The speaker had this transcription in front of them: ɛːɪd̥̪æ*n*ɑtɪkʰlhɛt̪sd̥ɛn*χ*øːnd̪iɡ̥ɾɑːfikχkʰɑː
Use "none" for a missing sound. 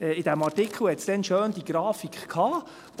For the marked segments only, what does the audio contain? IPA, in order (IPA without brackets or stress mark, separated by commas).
m, ʃ